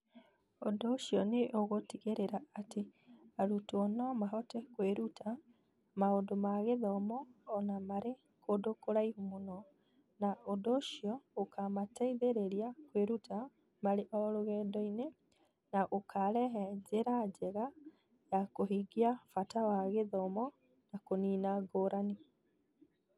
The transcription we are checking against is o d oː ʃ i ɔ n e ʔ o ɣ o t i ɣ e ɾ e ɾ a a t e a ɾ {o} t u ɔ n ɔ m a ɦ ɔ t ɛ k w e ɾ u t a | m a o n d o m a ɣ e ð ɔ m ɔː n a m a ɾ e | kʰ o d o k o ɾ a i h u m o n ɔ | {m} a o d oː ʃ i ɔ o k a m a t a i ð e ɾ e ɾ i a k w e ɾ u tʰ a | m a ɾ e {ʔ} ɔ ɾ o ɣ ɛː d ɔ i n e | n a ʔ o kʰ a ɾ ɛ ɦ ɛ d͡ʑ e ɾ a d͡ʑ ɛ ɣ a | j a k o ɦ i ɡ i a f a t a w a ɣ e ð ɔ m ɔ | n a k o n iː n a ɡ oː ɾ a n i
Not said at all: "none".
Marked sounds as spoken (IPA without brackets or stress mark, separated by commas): u, n, ʔ